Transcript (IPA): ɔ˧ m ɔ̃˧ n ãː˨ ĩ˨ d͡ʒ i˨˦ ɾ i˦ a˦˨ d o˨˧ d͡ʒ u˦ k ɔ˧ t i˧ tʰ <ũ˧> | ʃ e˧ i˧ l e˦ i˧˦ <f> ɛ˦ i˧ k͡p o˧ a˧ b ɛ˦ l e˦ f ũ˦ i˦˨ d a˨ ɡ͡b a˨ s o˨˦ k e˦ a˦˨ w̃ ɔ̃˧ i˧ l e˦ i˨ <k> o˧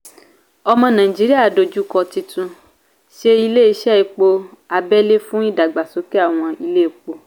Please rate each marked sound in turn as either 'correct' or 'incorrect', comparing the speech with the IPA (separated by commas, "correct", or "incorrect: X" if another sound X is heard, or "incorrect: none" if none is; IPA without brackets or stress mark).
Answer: correct, incorrect: ʃ, incorrect: k͡p